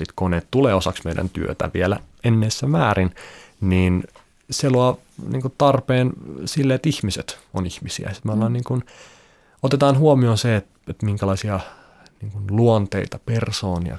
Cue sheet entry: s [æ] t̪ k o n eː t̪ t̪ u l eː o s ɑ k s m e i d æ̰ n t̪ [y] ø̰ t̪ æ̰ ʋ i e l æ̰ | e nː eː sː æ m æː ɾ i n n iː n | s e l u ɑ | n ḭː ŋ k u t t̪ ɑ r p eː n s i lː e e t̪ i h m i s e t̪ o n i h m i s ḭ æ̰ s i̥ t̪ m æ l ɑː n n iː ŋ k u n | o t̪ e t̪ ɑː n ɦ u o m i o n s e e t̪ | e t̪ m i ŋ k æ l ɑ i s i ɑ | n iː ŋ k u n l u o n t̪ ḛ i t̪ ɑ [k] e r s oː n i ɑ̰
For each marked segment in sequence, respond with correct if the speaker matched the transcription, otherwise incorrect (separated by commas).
incorrect, correct, incorrect